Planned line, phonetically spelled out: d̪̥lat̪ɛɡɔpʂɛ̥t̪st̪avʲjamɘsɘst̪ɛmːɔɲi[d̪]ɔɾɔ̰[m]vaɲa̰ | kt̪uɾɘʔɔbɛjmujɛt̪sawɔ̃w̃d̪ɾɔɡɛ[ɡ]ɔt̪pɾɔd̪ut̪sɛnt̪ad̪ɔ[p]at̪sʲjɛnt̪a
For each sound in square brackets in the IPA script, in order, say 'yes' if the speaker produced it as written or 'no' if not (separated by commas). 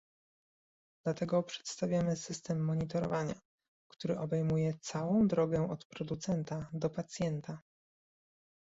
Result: no, no, no, yes